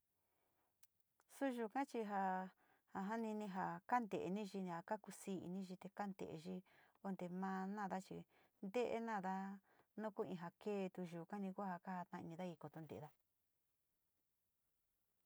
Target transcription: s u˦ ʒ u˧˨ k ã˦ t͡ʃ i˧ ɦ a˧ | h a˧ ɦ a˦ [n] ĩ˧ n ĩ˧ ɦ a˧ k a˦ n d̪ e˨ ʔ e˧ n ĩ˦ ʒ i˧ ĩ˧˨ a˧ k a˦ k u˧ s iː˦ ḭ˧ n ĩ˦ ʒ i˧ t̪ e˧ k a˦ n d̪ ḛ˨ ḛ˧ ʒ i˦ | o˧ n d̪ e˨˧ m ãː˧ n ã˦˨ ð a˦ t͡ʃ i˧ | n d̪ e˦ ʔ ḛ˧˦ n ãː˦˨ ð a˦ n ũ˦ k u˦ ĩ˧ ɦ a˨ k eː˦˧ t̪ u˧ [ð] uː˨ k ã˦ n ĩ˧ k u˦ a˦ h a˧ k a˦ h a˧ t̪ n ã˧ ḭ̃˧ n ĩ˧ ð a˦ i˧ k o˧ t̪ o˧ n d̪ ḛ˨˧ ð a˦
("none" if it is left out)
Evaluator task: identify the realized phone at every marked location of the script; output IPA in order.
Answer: n, ʒ

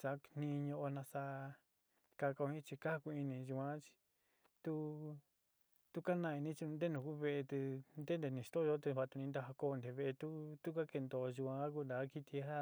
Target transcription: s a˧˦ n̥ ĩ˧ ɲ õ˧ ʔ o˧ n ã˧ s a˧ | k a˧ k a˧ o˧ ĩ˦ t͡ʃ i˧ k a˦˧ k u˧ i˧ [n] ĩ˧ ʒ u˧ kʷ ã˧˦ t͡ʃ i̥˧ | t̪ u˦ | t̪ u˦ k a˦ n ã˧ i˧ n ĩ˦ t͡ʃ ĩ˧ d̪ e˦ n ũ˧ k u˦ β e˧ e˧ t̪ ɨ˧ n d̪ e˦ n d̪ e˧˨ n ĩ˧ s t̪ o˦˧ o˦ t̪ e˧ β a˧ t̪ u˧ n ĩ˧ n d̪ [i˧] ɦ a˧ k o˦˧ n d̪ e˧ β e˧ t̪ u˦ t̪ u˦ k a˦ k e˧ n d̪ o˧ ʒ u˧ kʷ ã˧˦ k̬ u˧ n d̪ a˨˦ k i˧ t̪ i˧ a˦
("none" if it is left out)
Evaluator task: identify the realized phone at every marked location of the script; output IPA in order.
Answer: n, a˧

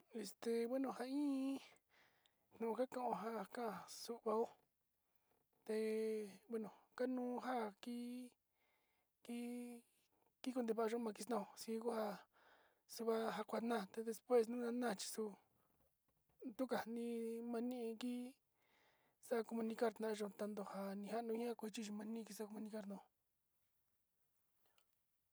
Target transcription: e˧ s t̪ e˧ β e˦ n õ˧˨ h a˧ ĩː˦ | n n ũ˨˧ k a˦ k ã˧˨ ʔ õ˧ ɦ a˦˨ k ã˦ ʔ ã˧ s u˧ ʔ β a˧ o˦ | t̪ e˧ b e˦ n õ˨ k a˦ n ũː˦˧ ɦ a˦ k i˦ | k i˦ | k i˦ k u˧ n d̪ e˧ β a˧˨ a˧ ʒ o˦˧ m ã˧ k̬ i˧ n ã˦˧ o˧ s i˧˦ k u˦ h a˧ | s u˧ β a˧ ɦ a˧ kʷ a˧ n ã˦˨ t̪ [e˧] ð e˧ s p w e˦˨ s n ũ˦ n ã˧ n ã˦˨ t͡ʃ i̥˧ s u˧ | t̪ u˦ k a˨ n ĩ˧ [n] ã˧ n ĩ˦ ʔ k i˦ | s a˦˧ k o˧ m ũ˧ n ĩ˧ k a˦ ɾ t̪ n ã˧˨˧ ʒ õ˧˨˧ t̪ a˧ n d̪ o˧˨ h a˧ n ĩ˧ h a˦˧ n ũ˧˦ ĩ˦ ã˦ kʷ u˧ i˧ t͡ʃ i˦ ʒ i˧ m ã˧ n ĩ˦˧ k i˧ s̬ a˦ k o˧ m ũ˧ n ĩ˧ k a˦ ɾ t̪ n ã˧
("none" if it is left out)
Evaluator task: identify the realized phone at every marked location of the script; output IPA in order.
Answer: e˧, m

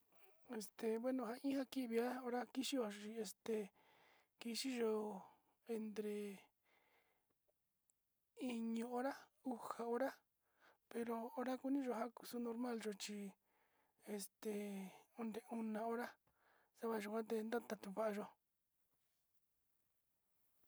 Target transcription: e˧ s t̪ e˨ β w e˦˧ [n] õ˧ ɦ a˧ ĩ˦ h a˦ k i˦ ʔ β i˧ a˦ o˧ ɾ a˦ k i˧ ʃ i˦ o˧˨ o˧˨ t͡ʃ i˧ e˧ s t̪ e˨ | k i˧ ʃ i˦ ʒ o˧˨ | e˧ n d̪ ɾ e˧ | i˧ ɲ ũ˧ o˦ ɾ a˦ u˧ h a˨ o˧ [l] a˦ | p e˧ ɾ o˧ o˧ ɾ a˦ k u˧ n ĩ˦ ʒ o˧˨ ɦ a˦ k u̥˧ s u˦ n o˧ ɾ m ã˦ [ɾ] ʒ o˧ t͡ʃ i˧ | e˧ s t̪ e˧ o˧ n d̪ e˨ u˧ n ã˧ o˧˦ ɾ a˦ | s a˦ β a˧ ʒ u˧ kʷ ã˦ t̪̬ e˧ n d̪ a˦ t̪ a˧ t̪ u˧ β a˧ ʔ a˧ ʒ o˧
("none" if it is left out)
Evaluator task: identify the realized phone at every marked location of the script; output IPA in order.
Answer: n, ɾ, l

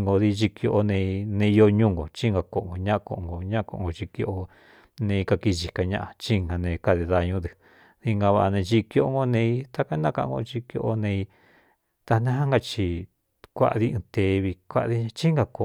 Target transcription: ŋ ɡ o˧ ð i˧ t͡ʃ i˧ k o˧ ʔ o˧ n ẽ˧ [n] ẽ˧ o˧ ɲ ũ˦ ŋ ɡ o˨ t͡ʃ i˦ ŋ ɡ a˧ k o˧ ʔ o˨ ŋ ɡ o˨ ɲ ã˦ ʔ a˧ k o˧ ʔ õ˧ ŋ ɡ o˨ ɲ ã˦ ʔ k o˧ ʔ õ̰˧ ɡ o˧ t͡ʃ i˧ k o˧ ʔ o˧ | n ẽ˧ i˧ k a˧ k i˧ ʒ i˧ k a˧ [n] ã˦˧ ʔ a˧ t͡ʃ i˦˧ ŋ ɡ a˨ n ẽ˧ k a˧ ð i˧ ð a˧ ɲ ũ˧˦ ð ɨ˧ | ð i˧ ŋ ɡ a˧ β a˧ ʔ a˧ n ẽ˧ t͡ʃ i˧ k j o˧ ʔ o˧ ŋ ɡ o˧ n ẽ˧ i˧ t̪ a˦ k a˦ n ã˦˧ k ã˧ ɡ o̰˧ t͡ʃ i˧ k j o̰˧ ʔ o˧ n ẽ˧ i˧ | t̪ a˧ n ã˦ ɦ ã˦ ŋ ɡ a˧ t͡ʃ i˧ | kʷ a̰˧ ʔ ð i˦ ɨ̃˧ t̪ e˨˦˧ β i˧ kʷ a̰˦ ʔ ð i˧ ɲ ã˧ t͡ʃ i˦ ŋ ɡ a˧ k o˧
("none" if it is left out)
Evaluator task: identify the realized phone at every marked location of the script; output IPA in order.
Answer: n, ɲ

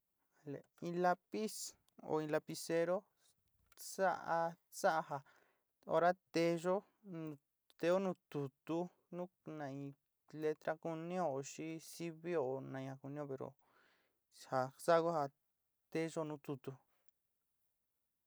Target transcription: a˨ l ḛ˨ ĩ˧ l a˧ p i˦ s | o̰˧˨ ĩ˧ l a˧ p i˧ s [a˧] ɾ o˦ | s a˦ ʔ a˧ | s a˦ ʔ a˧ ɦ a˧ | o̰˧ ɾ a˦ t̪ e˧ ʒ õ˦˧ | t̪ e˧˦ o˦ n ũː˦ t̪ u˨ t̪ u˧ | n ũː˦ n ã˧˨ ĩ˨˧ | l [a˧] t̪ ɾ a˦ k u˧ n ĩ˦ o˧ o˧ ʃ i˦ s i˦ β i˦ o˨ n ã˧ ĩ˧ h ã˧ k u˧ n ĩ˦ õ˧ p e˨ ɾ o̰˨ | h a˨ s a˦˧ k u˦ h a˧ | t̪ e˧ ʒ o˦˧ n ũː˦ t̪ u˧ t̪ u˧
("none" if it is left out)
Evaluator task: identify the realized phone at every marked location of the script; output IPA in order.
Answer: e˧, e˧

